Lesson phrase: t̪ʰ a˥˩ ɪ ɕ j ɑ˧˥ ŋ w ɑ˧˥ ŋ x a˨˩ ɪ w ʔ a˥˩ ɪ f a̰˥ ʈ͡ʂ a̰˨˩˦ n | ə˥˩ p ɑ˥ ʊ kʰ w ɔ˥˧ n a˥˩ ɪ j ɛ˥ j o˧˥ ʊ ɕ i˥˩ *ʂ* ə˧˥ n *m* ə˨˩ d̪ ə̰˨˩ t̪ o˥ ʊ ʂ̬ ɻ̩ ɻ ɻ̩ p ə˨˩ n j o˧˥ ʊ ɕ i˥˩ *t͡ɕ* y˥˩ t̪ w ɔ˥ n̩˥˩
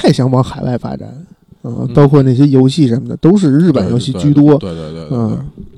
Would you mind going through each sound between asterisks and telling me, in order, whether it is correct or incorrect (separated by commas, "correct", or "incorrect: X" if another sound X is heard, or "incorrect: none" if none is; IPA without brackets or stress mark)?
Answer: correct, correct, correct